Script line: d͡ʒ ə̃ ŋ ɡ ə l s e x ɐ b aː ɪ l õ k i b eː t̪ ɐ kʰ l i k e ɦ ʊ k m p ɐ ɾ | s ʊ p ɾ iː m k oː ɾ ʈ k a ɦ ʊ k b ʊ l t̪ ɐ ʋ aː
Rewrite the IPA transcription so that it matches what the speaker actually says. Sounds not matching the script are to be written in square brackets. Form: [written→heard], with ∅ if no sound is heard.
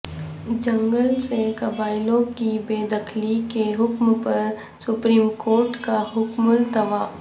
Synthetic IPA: d͡ʒ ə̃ ŋ ɡ ə l s e [x→k] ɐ b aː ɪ l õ k i b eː [t̪→d̪] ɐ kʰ l i k e ɦ ʊ k m p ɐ ɾ | s ʊ p ɾ iː m k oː ɾ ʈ k a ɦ ʊ k [b→m] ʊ l t̪ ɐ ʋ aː